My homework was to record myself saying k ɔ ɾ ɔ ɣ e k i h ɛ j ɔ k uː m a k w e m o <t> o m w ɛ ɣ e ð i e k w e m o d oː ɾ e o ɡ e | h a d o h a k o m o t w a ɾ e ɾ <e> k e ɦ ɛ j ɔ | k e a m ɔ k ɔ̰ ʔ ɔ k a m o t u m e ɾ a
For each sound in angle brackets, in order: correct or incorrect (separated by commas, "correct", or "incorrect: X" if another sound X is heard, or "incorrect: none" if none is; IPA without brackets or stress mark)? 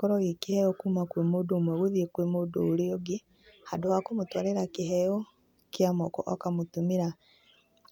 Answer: incorrect: d, incorrect: a